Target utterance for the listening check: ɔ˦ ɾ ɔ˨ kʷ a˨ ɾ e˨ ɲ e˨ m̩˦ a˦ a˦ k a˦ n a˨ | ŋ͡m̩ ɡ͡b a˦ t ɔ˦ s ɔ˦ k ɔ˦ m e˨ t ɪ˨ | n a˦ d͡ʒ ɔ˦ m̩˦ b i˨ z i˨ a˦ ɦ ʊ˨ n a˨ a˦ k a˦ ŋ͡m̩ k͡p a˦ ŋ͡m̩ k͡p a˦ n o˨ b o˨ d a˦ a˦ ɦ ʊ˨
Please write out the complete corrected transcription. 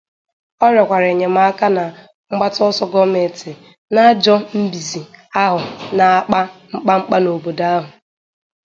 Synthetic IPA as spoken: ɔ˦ ɾ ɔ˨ kʷ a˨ ɾ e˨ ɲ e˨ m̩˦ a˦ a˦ k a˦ n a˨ | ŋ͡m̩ ɡ͡b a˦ t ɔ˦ s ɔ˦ ɡ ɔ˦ m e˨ t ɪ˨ | n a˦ d͡ʒ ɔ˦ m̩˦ b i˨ z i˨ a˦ ɦ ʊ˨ n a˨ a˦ k͡p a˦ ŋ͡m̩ k͡p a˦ ŋ͡m̩ k͡p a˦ n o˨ b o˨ d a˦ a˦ ɦ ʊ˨

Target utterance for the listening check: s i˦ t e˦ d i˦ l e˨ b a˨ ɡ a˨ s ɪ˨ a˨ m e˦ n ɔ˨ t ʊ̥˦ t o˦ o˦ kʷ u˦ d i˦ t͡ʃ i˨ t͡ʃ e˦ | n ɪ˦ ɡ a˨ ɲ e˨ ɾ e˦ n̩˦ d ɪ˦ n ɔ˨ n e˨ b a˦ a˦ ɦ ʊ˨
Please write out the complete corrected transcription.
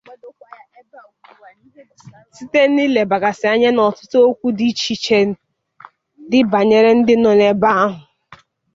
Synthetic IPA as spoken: s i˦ t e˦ n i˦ l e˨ b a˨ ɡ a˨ s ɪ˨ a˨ ɲ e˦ n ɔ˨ t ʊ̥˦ t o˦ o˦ kʷ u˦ d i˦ t͡ʃ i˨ t͡ʃ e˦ | d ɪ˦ b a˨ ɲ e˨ ɾ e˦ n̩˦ d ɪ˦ n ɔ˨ n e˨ b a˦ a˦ ɦ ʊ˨

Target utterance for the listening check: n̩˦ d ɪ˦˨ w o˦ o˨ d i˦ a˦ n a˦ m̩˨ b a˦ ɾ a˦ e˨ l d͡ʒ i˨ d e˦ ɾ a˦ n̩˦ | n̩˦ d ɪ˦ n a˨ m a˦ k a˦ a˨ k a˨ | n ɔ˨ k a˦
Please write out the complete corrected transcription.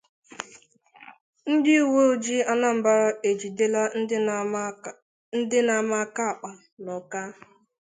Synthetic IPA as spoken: n̩˦ d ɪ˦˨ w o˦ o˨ d͡ʒ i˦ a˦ n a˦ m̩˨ b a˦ ɾ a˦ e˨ d͡ʒ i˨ d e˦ l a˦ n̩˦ | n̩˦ d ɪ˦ n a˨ m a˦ k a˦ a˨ k͡p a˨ | n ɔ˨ k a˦

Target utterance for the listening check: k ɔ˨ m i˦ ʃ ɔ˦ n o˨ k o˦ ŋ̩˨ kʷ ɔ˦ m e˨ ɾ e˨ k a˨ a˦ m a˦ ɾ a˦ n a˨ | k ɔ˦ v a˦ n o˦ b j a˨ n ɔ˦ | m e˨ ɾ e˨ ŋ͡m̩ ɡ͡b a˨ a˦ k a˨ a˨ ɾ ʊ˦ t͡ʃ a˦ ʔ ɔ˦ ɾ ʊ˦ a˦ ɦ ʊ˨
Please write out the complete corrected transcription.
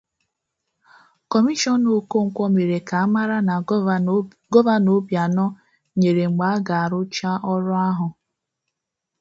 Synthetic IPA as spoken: k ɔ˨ m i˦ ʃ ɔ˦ n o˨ k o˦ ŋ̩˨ kʷ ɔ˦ m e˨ ɾ e˨ k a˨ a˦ m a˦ ɾ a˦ n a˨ | ɡ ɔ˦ v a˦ n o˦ b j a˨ n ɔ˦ | ɲ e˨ ɾ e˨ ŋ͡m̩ ɡ͡b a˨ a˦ ɡ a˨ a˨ ɾ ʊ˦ t͡ʃ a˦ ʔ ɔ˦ ɾ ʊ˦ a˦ ɦ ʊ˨

